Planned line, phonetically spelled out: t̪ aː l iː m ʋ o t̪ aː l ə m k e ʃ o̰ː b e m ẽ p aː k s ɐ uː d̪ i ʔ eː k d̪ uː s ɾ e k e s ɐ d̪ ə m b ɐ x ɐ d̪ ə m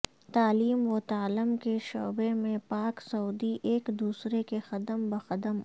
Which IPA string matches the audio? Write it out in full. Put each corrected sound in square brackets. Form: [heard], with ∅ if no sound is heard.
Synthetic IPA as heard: t̪ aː l iː m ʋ o t̪ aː l ə m k e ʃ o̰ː b e m ẽ p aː k s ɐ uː d̪ i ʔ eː k d̪ uː s ɾ e k e [x] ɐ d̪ ə m b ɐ x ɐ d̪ ə m